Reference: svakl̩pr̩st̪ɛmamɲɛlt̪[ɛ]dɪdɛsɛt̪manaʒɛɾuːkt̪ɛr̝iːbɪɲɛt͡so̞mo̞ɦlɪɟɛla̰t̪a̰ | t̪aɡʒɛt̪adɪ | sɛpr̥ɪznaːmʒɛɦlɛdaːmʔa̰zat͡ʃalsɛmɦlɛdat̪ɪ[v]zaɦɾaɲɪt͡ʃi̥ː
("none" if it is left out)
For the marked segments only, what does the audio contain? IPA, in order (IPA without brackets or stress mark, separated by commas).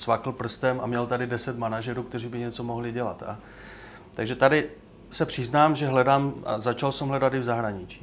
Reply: a, v